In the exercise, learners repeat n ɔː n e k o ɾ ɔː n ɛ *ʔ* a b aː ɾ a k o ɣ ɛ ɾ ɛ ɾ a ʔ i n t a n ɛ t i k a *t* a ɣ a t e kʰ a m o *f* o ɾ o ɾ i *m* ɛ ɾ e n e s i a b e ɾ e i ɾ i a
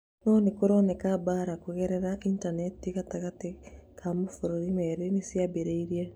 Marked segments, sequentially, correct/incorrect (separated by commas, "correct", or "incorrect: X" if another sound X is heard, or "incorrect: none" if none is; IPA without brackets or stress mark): incorrect: k, correct, correct, correct